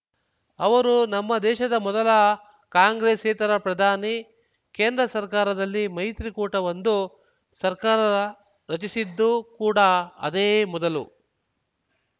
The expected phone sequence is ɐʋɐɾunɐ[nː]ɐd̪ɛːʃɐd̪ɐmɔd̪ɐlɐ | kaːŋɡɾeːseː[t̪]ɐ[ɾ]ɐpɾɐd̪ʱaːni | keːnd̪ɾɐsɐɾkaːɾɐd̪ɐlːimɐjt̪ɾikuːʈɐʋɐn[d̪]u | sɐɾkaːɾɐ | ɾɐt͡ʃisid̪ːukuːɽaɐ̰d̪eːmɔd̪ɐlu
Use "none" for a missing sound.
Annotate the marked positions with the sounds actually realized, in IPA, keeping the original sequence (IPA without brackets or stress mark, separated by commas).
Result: mː, t̪, ɾ, d̪